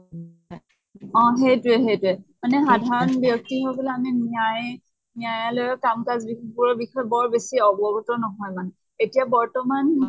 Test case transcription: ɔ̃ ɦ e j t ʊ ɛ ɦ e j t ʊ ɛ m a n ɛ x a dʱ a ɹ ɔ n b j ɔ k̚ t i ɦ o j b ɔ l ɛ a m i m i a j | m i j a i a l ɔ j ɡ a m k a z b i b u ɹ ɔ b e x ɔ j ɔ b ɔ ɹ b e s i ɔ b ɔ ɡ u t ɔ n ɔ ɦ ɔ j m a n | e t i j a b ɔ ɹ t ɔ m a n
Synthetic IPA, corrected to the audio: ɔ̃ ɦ e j t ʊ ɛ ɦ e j t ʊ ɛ m a n ɛ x a dʱ a ɹ ɔ n b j ɔ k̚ t i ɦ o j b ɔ l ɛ a m i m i a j | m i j a j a l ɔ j k a m k a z b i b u ɹ ɔ b i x ɔ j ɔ b ɔ ɹ b e s i ɔ b ɔ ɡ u t ɔ n ɔ ɦ ɔ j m a n | e t i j a b ɔ ɹ t ɔ m a n